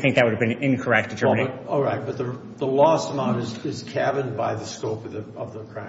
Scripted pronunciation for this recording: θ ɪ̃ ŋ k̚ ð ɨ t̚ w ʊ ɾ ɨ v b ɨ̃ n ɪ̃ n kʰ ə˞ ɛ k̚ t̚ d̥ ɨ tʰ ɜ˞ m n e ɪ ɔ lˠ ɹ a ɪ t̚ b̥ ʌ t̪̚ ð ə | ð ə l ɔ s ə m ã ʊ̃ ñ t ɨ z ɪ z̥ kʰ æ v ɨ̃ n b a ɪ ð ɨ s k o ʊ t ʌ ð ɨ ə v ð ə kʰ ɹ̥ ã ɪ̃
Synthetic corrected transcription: θ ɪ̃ ŋ k̚ ð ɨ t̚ w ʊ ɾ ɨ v b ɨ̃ n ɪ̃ n kʰ ə˞ ɛ k̚ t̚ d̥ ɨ tʰ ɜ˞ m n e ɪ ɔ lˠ ɹ a ɪ t̚ b̥ ʌ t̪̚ ð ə | ð ə l ɔ s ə m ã ʊ̃ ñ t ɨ z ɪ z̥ kʰ æ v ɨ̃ n b a ɪ ð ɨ s k o ʊ p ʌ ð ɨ ʌ v ð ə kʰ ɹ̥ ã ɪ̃